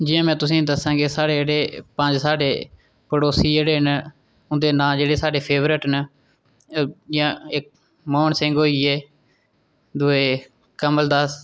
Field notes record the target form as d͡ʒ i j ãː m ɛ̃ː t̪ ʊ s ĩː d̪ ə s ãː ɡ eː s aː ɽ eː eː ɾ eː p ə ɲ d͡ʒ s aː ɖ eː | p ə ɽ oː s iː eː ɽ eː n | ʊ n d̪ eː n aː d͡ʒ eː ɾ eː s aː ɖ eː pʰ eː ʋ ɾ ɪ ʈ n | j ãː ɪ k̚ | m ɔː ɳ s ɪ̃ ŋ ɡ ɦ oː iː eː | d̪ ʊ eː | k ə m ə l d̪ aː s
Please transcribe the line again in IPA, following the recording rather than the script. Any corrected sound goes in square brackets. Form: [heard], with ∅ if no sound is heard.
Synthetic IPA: d͡ʒ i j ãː m ɛ̃ː t̪ ʊ s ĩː d̪ ə s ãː ɡ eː s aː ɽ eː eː [ɽ] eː p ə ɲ d͡ʒ s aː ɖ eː | p ə ɽ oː s iː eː ɽ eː n | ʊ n d̪ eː n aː d͡ʒ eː [ɽ] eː s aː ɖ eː pʰ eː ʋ ɾ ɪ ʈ n | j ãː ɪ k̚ | m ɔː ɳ s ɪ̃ ŋ ɡ ɦ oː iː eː | d̪ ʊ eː | k ə m ə l d̪ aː s